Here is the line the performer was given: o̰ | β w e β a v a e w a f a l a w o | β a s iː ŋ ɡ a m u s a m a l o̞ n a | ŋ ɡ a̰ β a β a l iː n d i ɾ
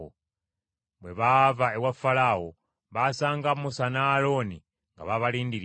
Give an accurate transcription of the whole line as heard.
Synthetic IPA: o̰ | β w e β a v a e w a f a l a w o | β a s aː ŋ ɡ a m u s a n a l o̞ n i | ŋ ɡ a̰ β a β a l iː n d i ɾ

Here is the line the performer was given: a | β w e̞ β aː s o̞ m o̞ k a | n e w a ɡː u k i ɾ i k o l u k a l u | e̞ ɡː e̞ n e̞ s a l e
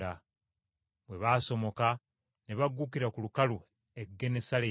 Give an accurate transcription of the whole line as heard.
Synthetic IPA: a | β w e̞ β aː s o̞ m o̞ k a | n e β a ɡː u k i ɾ a k u l u k a l u | e̞ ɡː e̞ n e̞ s a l e

